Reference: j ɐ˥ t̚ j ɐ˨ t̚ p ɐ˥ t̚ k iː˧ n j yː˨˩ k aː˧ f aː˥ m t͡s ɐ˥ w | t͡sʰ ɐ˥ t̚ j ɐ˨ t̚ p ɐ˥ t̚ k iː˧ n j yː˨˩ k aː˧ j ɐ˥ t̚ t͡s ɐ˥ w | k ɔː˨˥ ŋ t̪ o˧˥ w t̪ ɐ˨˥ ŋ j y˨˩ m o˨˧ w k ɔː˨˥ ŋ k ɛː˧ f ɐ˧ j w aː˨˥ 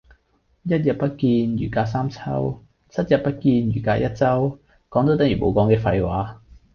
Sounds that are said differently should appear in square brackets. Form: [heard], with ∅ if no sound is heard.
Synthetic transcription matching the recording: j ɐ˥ t̚ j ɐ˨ t̚ p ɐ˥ t̚ k iː˧ n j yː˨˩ k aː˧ [s] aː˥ m [t͡sʰ] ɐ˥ w | t͡sʰ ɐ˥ t̚ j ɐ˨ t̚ p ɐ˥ t̚ k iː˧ n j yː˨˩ k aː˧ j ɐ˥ t̚ t͡s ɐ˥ w | k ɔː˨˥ ŋ t̪ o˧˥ w t̪ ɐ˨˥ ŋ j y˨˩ m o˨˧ w k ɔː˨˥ ŋ k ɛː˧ f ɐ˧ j w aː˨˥